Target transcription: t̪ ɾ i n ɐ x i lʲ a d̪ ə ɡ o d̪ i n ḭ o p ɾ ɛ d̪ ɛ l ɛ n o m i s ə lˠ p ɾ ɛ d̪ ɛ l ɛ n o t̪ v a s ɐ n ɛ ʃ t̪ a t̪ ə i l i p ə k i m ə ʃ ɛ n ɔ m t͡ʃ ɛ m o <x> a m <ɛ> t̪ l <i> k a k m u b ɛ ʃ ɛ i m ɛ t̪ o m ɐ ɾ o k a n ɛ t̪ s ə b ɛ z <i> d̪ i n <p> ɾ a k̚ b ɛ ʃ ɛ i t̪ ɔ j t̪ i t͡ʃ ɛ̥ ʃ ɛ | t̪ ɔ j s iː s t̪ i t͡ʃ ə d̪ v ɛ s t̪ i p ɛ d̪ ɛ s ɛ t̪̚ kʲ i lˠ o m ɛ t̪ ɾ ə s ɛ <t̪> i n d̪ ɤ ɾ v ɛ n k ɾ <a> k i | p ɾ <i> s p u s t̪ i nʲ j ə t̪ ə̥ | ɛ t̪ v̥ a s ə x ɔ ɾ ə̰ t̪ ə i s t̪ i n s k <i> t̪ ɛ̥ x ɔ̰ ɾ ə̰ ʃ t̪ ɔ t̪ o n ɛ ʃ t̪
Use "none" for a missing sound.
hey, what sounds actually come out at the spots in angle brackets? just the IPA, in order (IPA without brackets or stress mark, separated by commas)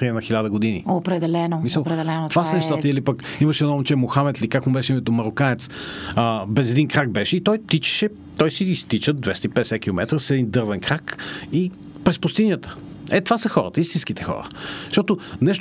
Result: x, ɛ, i, ɛ, k, d̪, a, ɛ, i